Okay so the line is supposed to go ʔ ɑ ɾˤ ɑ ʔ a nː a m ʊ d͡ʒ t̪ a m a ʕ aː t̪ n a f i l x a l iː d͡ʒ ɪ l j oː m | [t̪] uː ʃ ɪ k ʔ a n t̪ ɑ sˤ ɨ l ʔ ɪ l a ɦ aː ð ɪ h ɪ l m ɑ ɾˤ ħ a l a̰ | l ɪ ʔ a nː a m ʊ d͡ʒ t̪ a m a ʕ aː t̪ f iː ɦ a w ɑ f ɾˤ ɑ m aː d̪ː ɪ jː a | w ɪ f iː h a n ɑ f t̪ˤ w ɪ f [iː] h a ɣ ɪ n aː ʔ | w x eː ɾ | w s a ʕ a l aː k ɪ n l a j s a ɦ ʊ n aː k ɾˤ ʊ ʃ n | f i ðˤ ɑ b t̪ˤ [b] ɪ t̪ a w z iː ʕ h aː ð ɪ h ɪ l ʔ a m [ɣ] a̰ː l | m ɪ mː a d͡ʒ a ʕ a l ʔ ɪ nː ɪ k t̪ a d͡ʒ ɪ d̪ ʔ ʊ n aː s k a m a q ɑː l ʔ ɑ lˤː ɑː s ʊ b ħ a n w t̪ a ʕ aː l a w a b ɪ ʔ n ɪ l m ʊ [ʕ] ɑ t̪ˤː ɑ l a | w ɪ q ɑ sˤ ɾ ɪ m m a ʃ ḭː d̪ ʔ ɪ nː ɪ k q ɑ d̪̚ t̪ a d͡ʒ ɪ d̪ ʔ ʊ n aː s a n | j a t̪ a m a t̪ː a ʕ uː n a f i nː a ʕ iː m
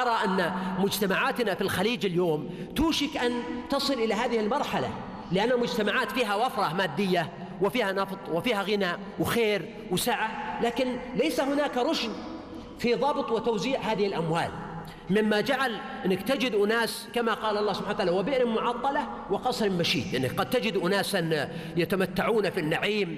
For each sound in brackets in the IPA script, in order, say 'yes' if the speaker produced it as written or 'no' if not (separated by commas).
yes, yes, no, no, yes